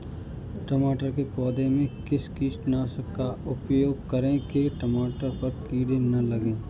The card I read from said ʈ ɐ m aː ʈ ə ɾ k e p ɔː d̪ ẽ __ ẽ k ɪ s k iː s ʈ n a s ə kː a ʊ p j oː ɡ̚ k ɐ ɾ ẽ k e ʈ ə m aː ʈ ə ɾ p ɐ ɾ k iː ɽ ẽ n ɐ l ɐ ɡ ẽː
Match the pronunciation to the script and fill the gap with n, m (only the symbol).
m